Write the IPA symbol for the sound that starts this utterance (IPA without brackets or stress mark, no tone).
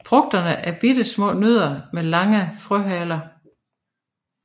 f